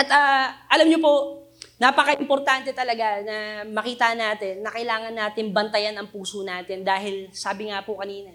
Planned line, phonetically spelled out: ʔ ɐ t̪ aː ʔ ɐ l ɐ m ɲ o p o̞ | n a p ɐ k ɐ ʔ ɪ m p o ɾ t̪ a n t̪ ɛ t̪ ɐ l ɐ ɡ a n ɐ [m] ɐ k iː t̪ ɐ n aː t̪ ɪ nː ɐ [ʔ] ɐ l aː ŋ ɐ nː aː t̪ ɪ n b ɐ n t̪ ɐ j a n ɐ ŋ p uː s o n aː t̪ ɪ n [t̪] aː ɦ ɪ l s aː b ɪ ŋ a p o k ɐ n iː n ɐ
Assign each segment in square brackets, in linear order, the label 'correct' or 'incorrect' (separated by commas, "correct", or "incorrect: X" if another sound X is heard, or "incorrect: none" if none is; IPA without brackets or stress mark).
correct, incorrect: k, incorrect: d̪